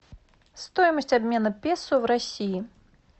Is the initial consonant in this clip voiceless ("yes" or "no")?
yes